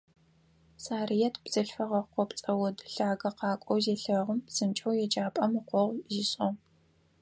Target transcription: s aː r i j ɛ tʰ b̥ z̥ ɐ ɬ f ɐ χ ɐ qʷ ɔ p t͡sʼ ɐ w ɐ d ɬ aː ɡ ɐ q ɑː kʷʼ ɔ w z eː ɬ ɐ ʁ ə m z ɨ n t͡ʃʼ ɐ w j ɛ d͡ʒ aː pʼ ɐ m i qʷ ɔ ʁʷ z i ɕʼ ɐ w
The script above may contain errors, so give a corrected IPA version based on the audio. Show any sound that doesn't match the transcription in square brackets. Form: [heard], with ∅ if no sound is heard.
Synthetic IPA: s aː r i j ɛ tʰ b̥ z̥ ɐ ɬ f ɐ [ʁ] ɐ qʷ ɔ p t͡sʼ ɐ w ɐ d ɬ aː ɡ ɐ q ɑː kʷʼ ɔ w z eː ɬ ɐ ʁ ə m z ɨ n t͡ʃʼ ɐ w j ɛ d͡ʒ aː pʼ ɐ m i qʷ ɔ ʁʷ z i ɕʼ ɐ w

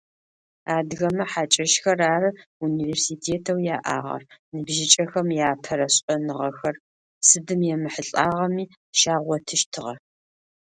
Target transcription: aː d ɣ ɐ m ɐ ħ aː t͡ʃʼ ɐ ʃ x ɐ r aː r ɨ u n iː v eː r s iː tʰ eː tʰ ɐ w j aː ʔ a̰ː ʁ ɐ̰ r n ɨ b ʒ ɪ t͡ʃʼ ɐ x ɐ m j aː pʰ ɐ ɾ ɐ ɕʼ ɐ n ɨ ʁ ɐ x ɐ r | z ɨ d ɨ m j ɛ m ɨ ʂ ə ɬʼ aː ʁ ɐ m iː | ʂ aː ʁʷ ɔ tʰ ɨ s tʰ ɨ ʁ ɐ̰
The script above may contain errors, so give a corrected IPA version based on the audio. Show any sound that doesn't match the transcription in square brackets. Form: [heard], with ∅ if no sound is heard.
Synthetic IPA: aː d ɣ ɐ m ɐ ħ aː t͡ʃʼ ɐ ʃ x ɐ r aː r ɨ u n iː v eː r s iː tʰ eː tʰ ɐ w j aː ʔ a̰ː ʁ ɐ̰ r n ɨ b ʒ ɪ t͡ʃʼ ɐ x ɐ m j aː pʰ ɐ ɾ ɐ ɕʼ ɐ n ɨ ʁ ɐ x ɐ r | [s] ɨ d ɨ m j ɛ m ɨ [ħ] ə ɬʼ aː ʁ ɐ m iː | [ʃ] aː ʁʷ ɔ tʰ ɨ [ʃ] tʰ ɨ ʁ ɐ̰

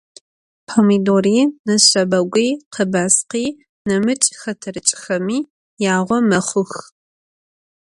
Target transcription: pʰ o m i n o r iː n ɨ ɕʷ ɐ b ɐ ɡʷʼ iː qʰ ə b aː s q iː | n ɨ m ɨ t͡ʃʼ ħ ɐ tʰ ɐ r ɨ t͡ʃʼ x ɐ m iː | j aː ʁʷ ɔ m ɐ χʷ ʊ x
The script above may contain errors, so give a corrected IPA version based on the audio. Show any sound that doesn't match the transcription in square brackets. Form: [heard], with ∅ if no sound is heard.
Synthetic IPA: pʰ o m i [d] o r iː n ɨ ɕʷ ɐ b ɐ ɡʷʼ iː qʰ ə b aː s q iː | n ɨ m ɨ t͡ʃʼ [x] ɐ tʰ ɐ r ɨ t͡ʃʼ x ɐ m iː | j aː ʁʷ ɔ m ɐ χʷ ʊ x

